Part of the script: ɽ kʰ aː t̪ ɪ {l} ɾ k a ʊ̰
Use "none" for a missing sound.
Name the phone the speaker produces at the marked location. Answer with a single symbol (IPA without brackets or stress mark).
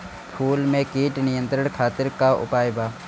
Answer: none